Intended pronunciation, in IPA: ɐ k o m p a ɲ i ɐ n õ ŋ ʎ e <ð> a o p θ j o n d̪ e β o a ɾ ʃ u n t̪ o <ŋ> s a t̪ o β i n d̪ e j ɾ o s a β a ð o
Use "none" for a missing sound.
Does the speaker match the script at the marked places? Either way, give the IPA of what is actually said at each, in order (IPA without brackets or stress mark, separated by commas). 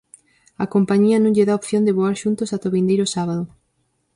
ð, none